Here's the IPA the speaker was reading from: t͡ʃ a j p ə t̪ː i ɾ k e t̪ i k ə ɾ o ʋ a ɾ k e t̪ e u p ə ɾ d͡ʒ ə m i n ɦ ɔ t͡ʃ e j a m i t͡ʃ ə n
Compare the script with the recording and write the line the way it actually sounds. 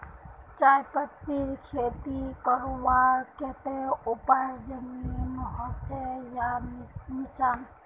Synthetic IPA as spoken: t͡ʃ a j p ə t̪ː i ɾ kʰ e t̪ i k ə ɾ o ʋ a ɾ k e t̪ e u p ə ɾ d͡ʒ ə m i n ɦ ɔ t͡ʃ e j a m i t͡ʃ a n